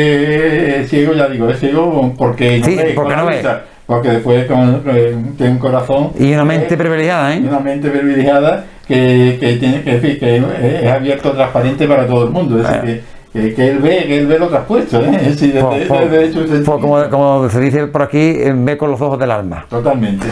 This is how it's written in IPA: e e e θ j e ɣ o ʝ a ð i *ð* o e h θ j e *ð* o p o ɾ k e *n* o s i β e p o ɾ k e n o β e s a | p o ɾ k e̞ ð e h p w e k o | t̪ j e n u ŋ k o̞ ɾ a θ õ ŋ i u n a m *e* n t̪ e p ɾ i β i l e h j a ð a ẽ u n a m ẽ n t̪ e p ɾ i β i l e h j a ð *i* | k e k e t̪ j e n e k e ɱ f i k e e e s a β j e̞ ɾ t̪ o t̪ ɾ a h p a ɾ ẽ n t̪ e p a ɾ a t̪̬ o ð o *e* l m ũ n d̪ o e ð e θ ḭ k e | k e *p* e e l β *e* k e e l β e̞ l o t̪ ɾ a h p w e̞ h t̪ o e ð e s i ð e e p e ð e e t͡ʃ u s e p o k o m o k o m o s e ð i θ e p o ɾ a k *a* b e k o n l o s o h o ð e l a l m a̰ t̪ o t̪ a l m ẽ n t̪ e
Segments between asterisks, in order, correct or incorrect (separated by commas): incorrect, incorrect, correct, incorrect, incorrect, correct, incorrect, correct, incorrect